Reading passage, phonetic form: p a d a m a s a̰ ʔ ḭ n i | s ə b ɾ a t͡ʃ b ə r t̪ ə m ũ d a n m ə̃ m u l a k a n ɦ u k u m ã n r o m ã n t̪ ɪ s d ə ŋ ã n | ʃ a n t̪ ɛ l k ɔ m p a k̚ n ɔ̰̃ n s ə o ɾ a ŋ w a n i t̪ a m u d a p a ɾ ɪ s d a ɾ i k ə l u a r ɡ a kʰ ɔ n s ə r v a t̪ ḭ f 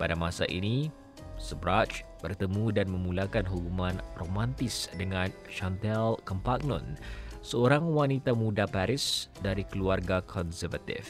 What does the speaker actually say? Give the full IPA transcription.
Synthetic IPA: p a d a m a s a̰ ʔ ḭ n i | s ə b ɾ a t͡ʃ b ə r t̪ ə m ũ d a n m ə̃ m u l a k a n ɦ u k u m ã n r o m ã n t̪ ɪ s d ə ŋ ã n | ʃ a n t̪ ɛ l k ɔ m p a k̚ n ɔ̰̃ n s ə o ɾ a ŋ w a n i t̪ a m u d a p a ɾ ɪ s d a ɾ i k ə l u a r ɡ a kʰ ɔ n s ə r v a t̪ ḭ f